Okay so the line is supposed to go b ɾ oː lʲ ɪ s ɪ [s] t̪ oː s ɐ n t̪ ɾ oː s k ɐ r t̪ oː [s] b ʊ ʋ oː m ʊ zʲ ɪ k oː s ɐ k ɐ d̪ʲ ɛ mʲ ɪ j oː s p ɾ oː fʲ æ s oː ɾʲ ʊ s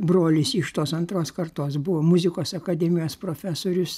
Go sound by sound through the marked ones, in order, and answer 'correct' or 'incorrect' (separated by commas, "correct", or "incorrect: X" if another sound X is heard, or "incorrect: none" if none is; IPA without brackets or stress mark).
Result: incorrect: ʃ, correct